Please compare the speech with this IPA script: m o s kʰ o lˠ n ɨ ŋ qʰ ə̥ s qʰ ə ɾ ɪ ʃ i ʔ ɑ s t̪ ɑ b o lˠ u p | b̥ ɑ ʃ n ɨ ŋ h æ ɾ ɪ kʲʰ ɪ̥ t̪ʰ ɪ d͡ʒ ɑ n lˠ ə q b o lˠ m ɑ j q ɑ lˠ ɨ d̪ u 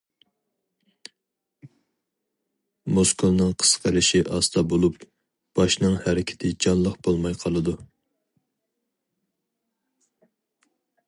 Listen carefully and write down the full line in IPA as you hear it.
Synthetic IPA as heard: m o s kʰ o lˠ n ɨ ŋ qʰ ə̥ s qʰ ə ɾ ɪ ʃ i ʔ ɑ s t̪ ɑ b o lˠ u p | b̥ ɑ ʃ n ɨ ŋ h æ ɾ ɪ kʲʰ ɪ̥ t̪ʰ ɪ d͡ʒ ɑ n lˠ ə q b o lˠ m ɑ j qʰ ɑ lˠ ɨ d̪ u